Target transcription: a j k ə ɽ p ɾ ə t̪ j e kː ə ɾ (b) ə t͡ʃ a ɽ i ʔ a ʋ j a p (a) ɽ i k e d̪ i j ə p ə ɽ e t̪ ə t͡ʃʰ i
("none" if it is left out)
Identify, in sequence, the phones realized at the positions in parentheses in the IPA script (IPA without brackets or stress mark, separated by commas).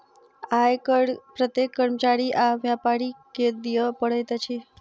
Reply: m, a